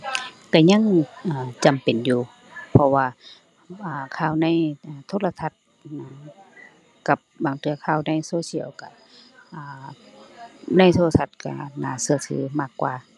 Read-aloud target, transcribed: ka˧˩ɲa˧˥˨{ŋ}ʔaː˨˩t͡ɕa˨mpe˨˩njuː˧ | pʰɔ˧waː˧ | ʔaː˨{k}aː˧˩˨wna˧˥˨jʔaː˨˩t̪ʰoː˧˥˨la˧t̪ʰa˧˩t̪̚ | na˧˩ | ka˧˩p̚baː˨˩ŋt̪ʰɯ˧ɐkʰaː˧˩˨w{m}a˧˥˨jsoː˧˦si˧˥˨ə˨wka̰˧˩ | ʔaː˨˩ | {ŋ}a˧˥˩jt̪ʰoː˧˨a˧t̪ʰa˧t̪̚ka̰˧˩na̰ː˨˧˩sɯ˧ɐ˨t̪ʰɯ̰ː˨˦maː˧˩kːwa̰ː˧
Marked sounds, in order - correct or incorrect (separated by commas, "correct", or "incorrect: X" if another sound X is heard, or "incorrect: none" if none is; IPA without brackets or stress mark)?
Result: correct, incorrect: kʰ, incorrect: n, incorrect: n